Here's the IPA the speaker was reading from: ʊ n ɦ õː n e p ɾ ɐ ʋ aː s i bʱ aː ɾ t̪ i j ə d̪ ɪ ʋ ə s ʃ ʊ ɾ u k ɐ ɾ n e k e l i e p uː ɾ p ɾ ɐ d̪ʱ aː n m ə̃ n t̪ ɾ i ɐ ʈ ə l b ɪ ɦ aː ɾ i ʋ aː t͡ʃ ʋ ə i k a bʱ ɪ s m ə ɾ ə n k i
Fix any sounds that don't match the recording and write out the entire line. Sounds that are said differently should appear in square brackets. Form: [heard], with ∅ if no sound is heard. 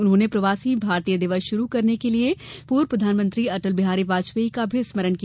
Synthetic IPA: ʊ n ɦ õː n e p ɾ ɐ ʋ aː s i bʱ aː ɾ t̪ i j ə d̪ ɪ ʋ ə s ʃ ʊ ɾ u k ɐ ɾ n e k e l i e p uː ɾ p ɾ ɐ d̪ʱ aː n m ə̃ n t̪ ɾ i ɐ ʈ ə l b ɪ ɦ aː ɾ i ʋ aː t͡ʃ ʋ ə i k a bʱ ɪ s m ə ɾ ə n k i